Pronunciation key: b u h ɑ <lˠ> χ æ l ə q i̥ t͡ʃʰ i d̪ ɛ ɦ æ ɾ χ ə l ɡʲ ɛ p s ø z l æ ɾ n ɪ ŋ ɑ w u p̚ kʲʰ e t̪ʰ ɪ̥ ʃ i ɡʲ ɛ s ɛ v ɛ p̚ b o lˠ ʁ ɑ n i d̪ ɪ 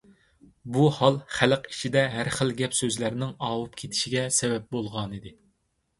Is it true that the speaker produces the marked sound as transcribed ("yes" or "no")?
yes